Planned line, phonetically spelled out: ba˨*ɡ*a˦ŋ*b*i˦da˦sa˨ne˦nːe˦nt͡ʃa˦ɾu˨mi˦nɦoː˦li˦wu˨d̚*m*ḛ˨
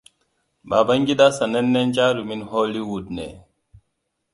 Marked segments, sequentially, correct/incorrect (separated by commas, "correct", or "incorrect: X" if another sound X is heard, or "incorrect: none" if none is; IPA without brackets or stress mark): incorrect: b, incorrect: ɡ, incorrect: n